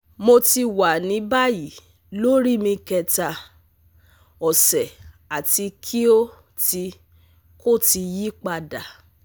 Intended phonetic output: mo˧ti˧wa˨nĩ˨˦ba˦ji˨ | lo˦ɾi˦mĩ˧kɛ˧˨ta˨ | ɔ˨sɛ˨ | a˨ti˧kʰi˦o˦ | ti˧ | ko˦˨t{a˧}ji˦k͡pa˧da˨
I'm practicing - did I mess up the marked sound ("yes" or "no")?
yes